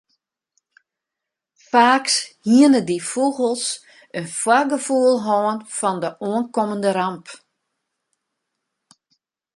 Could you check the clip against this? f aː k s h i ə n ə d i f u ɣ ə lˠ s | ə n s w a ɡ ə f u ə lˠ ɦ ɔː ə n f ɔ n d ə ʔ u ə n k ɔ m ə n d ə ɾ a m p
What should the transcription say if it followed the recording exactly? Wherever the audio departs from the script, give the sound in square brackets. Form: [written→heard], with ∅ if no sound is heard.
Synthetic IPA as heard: f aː k s h i ə n ə d i f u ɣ ə lˠ s | ə n [s→f] w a ɡ ə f u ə lˠ ɦ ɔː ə n f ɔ n d ə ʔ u ə n k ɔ m ə n d ə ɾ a m p